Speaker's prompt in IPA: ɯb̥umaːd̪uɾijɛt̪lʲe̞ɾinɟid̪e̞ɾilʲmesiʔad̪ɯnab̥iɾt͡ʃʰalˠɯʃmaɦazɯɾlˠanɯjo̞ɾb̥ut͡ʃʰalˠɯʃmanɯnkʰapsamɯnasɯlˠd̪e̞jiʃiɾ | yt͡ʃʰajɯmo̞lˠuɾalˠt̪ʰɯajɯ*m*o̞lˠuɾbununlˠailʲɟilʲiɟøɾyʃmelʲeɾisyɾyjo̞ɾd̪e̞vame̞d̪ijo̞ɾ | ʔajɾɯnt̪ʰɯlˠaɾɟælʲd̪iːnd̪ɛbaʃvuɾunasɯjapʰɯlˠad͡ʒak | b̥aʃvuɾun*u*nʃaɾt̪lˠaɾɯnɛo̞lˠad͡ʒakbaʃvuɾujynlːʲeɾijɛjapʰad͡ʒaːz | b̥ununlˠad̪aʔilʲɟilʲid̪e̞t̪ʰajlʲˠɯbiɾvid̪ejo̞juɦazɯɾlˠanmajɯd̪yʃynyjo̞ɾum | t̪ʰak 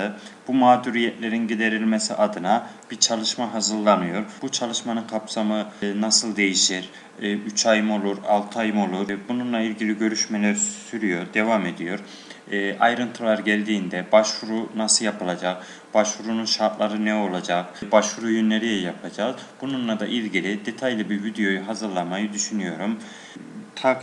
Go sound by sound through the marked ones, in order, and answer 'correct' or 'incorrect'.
correct, correct

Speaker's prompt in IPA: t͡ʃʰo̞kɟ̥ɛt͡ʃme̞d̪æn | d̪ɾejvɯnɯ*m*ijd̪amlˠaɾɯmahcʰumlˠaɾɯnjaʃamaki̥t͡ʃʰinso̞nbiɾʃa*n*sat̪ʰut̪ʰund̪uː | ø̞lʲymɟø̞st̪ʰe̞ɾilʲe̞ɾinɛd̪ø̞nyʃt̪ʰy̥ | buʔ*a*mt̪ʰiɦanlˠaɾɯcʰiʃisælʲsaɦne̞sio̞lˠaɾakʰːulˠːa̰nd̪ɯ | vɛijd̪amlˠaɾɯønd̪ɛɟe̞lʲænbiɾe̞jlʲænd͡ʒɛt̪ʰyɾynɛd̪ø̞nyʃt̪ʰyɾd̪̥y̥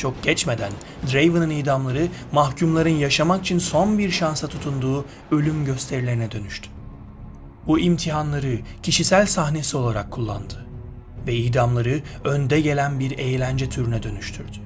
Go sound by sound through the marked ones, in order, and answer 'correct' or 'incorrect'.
incorrect: n, correct, incorrect: i

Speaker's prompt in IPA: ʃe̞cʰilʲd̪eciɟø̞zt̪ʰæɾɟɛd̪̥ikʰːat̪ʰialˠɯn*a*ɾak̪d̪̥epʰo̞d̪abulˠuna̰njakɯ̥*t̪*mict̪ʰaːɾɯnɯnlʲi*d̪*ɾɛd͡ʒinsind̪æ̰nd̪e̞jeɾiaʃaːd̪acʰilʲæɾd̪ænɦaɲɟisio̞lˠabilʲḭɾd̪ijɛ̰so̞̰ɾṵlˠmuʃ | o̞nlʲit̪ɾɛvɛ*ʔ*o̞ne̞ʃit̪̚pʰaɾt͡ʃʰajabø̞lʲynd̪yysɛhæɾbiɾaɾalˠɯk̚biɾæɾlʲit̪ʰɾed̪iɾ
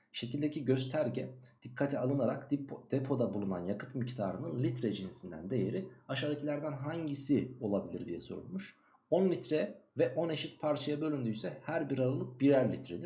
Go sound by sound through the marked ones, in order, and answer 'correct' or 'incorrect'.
correct, correct, incorrect: t̪, correct

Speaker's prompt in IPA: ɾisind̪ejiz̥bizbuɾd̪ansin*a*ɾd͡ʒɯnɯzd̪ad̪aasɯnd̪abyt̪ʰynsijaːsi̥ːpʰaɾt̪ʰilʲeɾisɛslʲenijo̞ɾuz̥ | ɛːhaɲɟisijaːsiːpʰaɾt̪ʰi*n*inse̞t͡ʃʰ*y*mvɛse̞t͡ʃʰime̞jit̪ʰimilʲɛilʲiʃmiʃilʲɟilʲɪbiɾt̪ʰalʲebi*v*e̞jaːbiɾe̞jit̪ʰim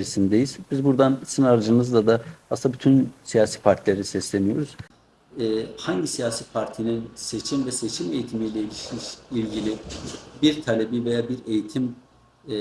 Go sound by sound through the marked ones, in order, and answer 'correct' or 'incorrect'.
correct, correct, incorrect: i, correct

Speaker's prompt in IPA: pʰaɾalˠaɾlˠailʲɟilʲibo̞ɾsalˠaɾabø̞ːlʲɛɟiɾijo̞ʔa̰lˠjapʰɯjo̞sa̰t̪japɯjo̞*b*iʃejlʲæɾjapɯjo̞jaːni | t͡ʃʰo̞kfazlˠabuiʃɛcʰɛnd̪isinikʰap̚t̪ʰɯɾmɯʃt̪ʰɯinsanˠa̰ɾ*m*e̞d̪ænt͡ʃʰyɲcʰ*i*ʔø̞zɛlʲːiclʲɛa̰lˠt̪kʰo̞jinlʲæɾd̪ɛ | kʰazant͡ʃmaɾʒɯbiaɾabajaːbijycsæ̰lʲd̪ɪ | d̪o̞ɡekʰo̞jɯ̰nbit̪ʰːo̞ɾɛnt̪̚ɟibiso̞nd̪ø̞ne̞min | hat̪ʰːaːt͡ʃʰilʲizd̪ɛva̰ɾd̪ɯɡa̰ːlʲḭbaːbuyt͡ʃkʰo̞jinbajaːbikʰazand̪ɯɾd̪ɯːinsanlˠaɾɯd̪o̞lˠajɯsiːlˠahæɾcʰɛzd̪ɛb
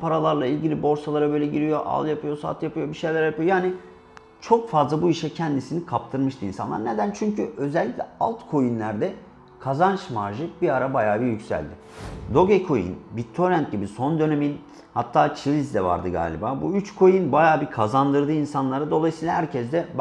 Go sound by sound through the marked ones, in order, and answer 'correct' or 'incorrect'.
correct, incorrect: n, incorrect: y

